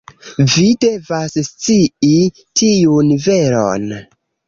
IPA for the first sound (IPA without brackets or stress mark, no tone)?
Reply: v